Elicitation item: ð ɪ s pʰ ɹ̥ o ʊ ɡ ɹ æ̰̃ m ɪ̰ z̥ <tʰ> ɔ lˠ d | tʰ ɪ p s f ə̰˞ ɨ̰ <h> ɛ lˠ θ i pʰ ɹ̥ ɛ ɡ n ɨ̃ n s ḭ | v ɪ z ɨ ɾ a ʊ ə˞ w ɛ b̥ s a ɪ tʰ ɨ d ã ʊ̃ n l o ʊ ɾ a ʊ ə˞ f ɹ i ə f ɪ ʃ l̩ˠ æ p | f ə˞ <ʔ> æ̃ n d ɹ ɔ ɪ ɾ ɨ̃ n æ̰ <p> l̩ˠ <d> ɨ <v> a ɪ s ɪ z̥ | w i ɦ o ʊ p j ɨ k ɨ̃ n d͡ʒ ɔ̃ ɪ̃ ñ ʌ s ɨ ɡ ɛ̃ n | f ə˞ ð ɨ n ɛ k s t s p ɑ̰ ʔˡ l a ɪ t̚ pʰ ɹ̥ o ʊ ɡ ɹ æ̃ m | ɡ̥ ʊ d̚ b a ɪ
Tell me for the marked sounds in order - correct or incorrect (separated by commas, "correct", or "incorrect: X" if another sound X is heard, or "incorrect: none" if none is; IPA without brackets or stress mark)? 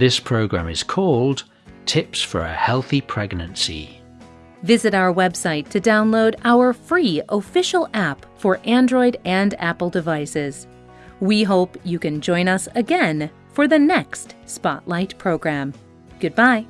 incorrect: kʰ, correct, correct, correct, correct, correct